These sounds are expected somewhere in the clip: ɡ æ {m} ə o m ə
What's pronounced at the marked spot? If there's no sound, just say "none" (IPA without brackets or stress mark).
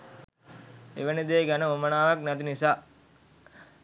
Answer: n